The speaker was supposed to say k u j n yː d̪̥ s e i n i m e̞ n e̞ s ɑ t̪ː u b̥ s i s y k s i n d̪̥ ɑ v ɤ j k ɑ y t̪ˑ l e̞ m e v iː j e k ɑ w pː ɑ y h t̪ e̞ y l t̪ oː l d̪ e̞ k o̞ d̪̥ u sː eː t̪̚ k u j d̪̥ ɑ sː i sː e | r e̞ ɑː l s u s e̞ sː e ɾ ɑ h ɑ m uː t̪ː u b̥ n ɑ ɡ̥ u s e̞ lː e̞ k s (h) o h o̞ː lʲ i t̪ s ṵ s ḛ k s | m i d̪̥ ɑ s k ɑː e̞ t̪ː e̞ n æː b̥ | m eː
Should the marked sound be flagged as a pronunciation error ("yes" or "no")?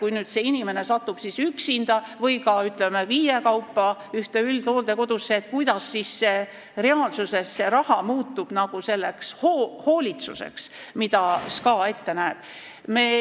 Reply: no